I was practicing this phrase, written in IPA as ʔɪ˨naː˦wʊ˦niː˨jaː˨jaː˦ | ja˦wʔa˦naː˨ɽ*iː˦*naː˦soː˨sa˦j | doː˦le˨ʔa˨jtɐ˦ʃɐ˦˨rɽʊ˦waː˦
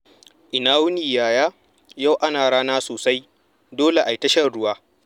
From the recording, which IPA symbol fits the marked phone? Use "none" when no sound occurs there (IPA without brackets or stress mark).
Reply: aː˦